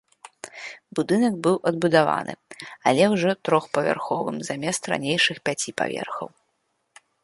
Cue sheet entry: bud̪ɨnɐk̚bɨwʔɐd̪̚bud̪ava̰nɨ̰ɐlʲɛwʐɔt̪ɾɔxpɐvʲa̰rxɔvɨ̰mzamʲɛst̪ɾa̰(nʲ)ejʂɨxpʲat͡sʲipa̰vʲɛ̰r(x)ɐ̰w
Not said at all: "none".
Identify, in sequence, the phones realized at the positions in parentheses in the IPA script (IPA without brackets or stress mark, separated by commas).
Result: nʲ, x